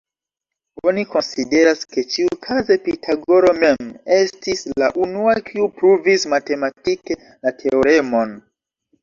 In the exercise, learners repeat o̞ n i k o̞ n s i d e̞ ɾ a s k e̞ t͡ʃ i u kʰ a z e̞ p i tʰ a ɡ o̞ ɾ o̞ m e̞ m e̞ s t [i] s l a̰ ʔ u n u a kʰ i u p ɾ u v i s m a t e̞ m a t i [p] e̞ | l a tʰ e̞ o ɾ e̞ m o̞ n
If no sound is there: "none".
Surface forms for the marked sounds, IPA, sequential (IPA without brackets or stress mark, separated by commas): i, k